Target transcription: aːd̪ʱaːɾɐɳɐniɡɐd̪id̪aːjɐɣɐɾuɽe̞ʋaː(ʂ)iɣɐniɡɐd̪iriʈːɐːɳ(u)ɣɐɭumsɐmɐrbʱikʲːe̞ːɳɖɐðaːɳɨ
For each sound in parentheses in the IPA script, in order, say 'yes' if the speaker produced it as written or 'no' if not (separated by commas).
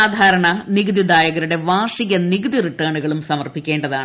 yes, yes